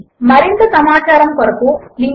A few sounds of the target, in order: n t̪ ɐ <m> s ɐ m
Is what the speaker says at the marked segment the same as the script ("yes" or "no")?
no